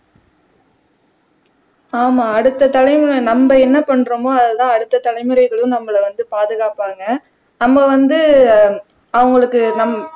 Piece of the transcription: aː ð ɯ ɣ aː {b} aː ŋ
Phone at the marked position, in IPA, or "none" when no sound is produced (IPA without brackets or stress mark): p